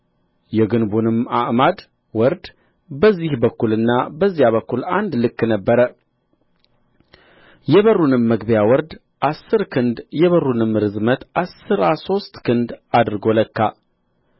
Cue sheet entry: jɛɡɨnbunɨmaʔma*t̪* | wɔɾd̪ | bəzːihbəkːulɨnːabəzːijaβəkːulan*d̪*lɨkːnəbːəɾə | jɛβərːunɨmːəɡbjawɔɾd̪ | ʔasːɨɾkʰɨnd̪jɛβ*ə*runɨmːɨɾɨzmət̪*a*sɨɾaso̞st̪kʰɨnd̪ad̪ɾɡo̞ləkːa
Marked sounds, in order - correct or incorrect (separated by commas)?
incorrect, correct, correct, correct